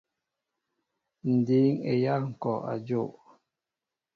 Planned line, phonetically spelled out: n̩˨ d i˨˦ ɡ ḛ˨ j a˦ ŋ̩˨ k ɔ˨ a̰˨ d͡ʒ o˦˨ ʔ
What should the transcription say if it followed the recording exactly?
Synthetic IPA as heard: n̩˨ d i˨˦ ŋ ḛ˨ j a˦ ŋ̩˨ k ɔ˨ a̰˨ d͡ʒ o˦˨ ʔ